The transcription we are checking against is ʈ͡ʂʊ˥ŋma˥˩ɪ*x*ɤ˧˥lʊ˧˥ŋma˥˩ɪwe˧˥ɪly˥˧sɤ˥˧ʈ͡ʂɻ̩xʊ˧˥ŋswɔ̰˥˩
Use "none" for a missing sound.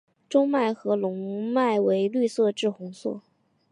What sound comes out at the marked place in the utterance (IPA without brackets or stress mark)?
x